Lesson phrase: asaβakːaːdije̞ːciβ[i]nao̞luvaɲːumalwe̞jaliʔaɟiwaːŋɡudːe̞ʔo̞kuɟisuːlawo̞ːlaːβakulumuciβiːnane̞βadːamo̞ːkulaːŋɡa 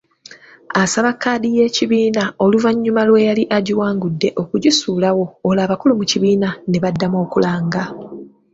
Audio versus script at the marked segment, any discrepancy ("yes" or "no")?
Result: yes